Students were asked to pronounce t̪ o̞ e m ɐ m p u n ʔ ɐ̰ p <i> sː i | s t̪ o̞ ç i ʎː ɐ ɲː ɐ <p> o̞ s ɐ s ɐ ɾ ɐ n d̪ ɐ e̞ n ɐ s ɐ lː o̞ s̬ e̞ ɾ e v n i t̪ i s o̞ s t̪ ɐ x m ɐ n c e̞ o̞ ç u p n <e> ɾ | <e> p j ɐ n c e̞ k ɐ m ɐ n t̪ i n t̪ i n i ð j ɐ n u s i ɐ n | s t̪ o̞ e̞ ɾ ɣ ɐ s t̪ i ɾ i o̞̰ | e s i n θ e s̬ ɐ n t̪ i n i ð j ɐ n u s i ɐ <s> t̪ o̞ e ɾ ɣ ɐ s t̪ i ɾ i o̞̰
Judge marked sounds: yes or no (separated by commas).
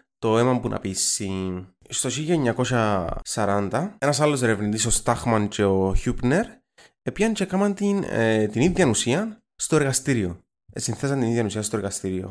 yes, no, yes, yes, yes